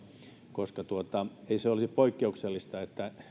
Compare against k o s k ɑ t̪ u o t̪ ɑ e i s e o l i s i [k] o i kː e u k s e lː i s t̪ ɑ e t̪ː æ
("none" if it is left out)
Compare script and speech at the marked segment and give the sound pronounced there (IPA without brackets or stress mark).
p